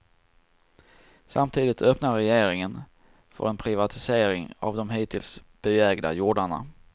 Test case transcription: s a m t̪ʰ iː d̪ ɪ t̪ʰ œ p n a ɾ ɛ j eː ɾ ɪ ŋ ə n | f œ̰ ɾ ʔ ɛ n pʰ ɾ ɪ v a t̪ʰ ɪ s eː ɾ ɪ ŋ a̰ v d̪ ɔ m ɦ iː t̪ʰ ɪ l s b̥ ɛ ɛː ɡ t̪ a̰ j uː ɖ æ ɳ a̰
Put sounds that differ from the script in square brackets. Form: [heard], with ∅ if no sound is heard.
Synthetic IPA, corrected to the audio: s a m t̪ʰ iː d̪ ɪ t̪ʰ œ p n a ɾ ɛ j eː ɾ ɪ ŋ ə n | f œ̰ ɾ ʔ ɛ n pʰ ɾ ɪ v a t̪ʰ ɪ s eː ɾ ɪ ŋ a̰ v d̪ ɔ m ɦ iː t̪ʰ ɪ l s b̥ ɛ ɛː ɡ [d̪] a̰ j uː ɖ [a] ɳ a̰